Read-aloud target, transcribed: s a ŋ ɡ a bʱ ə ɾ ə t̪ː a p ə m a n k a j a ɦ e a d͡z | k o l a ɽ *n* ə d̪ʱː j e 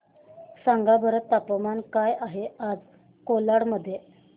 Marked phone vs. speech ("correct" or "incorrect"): incorrect